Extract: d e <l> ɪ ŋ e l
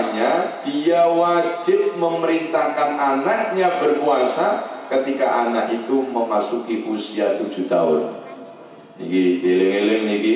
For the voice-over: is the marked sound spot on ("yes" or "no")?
yes